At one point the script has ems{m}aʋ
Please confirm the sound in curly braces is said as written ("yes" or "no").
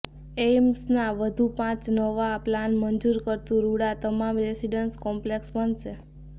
no